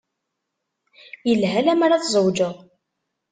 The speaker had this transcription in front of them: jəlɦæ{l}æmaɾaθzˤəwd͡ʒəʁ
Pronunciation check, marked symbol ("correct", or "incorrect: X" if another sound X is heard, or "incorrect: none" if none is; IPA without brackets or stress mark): correct